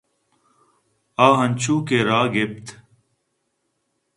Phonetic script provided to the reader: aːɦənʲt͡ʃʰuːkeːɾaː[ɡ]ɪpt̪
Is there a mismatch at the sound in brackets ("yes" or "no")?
no